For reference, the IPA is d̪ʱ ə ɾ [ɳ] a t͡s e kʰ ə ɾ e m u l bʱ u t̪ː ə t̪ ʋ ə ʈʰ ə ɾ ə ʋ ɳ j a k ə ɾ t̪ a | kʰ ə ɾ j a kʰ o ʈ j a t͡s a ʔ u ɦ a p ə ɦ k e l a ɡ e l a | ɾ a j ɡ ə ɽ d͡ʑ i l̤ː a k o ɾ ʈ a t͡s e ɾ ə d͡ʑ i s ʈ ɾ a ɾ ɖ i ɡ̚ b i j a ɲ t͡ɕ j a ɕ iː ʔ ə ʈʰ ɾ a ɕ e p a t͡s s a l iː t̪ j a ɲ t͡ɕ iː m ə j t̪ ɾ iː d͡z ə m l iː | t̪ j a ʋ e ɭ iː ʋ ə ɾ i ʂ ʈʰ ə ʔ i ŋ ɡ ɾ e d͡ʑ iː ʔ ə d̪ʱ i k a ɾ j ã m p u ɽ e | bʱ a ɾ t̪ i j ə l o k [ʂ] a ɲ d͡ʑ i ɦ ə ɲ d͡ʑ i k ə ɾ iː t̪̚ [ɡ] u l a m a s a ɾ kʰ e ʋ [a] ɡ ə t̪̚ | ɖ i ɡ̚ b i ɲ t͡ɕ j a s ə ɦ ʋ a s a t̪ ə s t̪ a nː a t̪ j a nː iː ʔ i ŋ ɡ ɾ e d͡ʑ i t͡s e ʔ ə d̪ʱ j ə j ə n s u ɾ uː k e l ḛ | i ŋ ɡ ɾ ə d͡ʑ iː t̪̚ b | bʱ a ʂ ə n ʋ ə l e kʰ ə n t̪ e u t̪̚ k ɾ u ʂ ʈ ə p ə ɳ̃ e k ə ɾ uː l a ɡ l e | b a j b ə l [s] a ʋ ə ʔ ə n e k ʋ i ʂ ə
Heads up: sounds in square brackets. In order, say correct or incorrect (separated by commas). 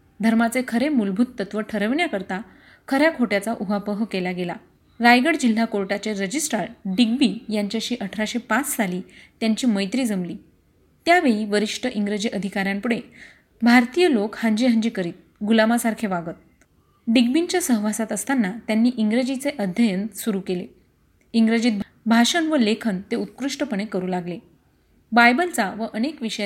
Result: incorrect, incorrect, correct, correct, incorrect